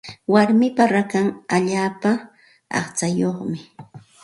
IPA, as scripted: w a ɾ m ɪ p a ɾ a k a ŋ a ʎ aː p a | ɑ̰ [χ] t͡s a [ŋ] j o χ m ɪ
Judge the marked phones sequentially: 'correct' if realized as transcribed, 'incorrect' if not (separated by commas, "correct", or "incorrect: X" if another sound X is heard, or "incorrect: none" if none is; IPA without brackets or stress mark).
correct, incorrect: none